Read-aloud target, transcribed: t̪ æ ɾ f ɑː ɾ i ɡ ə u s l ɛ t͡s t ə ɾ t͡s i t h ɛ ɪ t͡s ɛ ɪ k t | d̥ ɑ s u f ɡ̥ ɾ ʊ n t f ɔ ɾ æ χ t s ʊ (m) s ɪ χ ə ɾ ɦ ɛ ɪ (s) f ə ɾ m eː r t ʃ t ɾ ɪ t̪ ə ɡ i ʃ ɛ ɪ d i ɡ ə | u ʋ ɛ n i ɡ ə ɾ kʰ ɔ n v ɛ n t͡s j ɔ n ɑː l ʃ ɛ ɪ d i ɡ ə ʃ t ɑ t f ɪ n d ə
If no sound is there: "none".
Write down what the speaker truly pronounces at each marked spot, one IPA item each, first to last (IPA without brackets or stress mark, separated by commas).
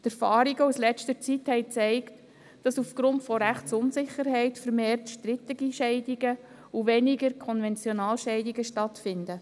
n, t